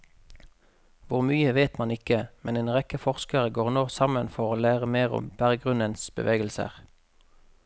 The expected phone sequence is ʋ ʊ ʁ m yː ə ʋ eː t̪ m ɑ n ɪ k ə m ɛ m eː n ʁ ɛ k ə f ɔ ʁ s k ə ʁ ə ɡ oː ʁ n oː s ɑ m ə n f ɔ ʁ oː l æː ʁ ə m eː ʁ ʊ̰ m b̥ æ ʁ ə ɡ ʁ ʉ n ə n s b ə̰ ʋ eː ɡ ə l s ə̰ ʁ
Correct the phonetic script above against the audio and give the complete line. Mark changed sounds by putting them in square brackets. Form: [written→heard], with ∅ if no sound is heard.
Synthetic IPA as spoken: ʋ ʊ ʁ m yː ə ʋ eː t̪ m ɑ n ɪ k ə m ɛ [m→n] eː n ʁ ɛ k ə f ɔ ʁ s k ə ʁ ə ɡ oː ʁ n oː s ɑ m ə n f ɔ ʁ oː l æː ʁ ə m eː ʁ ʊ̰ m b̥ æ ʁ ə ɡ ʁ ʉ n ə n s b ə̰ ʋ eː ɡ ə l s ə̰ ʁ

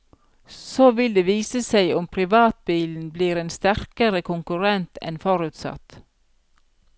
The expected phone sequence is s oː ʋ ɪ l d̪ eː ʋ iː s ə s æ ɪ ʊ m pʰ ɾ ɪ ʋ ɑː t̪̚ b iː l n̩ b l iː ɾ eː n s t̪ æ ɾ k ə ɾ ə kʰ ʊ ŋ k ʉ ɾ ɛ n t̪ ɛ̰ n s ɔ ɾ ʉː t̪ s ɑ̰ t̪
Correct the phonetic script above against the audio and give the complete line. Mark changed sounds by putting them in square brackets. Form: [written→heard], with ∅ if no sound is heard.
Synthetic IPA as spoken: s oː ʋ ɪ l d̪ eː ʋ iː s ə s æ ɪ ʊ m pʰ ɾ ɪ ʋ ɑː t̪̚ b iː l n̩ b l iː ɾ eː n s t̪ æ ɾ k ə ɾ ə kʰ ʊ ŋ k ʉ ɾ ɛ n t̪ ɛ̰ n [s→f] ɔ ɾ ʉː t̪ s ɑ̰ t̪

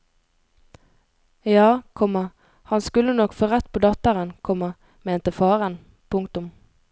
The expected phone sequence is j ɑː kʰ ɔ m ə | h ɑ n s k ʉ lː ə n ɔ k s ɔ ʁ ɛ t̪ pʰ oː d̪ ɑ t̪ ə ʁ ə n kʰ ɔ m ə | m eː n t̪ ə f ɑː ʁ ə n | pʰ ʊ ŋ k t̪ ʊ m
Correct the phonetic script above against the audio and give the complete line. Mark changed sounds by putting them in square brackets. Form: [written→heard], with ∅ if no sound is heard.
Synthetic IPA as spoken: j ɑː kʰ ɔ m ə | h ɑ n s k ʉ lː ə n ɔ k [s→f] ɔ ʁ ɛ t̪ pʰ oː d̪ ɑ t̪ ə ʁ ə n kʰ ɔ m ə | m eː n t̪ ə f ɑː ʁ ə n | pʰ ʊ ŋ k t̪ ʊ m

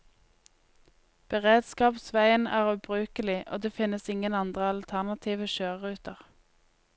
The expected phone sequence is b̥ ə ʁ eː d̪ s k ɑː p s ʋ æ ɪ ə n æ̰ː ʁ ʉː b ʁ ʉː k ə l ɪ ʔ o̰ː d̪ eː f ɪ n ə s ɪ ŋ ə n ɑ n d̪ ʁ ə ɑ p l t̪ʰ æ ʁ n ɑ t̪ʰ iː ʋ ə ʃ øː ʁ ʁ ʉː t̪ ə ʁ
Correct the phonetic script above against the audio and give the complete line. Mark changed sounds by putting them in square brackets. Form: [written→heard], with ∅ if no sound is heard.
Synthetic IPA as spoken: b̥ ə ʁ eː d̪ s k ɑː p s ʋ æ ɪ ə n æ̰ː ʁ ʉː b ʁ ʉː k ə l ɪ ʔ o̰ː d̪ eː f ɪ n ə s ɪ ŋ ə n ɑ n d̪ ʁ ə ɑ [p→∅] l t̪ʰ æ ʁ n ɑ t̪ʰ iː ʋ ə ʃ øː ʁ ʁ ʉː t̪ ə ʁ

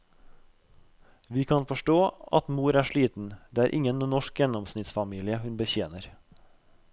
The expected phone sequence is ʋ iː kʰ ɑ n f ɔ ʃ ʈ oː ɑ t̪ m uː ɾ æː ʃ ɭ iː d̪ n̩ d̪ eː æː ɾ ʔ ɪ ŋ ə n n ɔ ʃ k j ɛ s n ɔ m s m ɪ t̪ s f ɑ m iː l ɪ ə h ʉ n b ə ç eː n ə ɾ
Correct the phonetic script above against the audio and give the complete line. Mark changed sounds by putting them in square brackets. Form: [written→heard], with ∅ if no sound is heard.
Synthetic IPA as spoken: ʋ iː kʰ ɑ n f ɔ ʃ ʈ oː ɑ t̪ m uː ɾ æː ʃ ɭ iː [d̪→t̪] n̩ d̪ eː æː ɾ ʔ ɪ ŋ ə n n ɔ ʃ k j ɛ [s→∅] n ɔ m s [m→n] ɪ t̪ s f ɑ m iː l ɪ ə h ʉ n b ə ç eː n ə ɾ

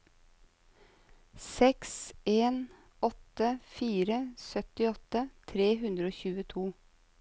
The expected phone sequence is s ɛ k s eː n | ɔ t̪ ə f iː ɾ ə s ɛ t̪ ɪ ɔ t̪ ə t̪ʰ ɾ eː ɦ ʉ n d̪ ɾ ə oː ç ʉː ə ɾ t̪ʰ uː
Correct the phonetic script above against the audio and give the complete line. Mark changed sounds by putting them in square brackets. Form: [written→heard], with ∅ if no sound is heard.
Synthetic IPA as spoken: s ɛ k s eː n | ɔ t̪ ə f iː ɾ ə s [ɛ→œ] t̪ ɪ ɔ t̪ ə t̪ʰ ɾ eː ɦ ʉ n d̪ ɾ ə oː ç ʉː ə [ɾ→∅] t̪ʰ uː

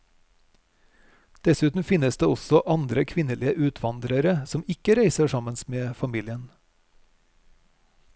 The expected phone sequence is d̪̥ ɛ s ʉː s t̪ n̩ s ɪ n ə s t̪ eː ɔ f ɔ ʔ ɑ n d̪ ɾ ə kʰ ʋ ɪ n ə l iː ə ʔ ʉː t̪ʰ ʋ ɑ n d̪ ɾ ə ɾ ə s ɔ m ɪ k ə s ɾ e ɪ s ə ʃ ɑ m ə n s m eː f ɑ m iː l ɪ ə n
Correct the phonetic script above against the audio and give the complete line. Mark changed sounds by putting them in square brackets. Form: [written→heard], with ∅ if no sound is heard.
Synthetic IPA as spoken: d̪̥ ɛ s ʉː [s→∅] t̪ n̩ [s→f] ɪ n ə s [t̪→d̪] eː ɔ [f→s] ɔ ʔ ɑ n d̪ ɾ ə kʰ ʋ ɪ n ə l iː ə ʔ ʉː t̪ʰ ʋ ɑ n d̪ ɾ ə ɾ ə s ɔ m ɪ k ə [s→∅] ɾ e ɪ s ə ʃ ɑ m ə n s m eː f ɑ m iː l ɪ ə n

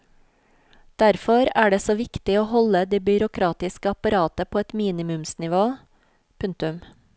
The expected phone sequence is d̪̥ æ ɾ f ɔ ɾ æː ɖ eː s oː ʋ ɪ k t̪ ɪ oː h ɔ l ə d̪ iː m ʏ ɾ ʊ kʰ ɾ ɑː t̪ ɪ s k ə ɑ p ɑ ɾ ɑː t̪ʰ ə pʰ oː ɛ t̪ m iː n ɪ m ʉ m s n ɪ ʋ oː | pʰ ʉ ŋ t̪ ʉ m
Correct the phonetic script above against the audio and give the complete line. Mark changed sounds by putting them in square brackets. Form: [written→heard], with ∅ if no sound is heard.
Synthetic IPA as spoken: d̪̥ æ ɾ f ɔ ɾ æː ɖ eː s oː ʋ ɪ k t̪ ɪ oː h ɔ l ə d̪ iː [m→b] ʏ ɾ ʊ kʰ ɾ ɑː t̪ ɪ s k ə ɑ p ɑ ɾ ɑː [t̪ʰ→t̪] ə pʰ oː ɛ t̪ m iː n ɪ m ʉ m s n ɪ ʋ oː | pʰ ʉ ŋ t̪ ʉ m

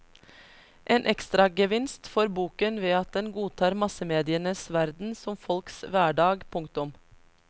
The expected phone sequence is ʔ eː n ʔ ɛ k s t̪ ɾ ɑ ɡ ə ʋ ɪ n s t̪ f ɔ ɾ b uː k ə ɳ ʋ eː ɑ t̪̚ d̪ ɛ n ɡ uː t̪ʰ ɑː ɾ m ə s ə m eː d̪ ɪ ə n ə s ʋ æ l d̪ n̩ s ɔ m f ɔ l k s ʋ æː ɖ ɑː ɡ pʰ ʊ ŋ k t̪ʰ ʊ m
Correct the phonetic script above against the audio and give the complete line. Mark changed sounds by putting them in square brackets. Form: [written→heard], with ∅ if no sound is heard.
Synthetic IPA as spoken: ʔ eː n ʔ ɛ k s t̪ ɾ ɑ ɡ ə ʋ ɪ n s t̪ f ɔ ɾ b uː k ə [ɳ→n] ʋ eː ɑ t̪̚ d̪ ɛ n ɡ uː t̪ʰ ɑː ɾ m [ə→ɑ] s ə m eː d̪ ɪ ə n ə s ʋ æ [l→ɾ] d̪ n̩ s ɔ m f ɔ l k s ʋ æː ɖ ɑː ɡ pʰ ʊ ŋ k [t̪ʰ→t̪] ʊ m

